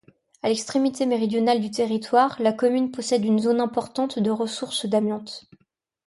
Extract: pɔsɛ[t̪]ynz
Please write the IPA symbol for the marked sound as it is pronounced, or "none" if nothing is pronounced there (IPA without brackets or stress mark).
d̪